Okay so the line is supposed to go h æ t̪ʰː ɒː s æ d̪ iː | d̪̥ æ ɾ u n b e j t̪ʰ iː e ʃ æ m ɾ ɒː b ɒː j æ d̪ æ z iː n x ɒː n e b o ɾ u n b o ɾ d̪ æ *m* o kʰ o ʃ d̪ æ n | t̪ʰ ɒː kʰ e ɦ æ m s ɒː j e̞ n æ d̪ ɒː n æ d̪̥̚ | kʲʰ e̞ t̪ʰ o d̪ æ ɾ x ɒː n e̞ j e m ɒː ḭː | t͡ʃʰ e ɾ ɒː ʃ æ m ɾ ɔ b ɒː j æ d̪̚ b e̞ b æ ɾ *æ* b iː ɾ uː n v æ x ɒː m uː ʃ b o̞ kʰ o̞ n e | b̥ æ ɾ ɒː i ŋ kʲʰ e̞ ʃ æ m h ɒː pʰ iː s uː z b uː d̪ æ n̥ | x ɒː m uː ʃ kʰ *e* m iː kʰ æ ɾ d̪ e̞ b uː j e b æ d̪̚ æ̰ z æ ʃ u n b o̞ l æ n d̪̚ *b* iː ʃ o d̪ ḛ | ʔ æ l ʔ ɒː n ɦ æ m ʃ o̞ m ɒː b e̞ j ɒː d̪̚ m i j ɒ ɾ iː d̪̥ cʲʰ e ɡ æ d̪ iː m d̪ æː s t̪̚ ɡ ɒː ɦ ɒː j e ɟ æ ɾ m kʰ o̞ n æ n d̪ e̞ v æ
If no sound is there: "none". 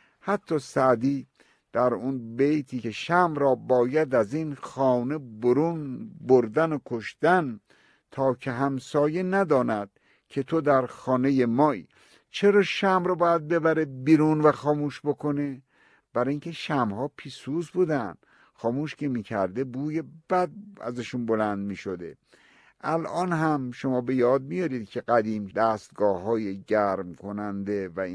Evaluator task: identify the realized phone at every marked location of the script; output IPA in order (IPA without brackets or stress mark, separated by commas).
n, e, e, m